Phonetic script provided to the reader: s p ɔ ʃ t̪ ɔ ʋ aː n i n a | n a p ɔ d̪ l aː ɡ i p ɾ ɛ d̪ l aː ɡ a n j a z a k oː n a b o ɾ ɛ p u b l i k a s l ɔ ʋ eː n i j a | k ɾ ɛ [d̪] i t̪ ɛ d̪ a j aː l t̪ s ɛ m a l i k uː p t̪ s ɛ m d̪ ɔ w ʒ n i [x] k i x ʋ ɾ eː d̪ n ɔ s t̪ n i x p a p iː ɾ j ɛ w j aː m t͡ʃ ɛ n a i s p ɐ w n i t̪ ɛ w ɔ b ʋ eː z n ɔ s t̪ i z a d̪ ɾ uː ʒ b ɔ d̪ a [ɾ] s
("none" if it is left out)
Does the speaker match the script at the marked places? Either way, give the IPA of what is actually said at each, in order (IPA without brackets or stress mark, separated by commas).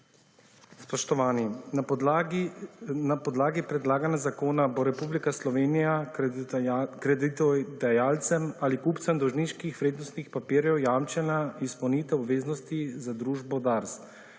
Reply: d̪, ʃ, ɾ